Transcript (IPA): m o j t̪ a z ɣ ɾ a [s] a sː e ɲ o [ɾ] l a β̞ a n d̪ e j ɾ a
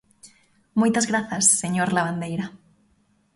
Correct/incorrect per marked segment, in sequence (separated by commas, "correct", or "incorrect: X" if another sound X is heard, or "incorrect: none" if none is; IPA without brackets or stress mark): incorrect: θ, correct